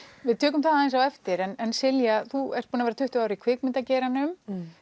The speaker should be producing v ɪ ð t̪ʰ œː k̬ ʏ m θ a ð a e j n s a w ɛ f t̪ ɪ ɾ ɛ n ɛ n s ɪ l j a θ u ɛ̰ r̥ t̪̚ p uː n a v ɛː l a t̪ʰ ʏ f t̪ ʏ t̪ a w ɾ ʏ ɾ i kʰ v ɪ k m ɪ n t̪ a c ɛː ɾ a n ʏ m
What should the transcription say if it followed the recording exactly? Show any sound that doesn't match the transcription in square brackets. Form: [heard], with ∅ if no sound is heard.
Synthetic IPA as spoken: v ɪ ð t̪ʰ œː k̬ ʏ m θ a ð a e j n s a w ɛ f t̪ ɪ ɾ ɛ n ɛ n s ɪ l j a θ u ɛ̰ r̥ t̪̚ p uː n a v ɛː [ɾ] a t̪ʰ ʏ [h] t̪ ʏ [∅] a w ɾ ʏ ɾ i kʰ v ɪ k m ɪ n t̪ a c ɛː ɾ a n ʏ m